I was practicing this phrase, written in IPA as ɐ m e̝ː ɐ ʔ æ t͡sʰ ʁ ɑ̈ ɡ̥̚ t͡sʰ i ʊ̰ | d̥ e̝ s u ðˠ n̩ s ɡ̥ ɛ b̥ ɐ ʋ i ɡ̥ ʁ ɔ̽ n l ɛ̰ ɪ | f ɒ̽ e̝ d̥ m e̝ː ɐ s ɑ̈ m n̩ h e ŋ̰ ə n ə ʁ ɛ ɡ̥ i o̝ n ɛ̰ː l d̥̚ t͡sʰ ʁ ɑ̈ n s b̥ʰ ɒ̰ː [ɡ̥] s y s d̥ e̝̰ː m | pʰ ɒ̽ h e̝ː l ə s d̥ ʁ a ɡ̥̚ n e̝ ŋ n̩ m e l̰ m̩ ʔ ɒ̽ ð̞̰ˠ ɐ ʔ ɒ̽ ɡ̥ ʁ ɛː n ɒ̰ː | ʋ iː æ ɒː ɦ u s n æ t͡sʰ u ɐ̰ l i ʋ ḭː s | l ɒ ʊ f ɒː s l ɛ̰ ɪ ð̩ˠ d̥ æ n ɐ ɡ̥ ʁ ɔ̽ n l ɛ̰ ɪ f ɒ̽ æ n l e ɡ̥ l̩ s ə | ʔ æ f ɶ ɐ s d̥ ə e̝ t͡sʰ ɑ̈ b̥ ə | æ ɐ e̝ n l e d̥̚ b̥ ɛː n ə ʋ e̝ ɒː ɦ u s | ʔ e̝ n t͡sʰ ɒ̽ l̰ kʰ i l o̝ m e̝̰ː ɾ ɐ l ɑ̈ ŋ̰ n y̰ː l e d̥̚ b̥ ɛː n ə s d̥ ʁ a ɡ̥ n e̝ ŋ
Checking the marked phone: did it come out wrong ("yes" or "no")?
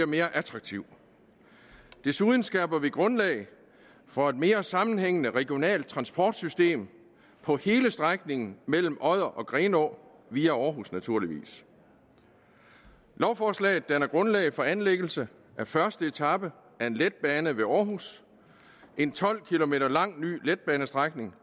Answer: yes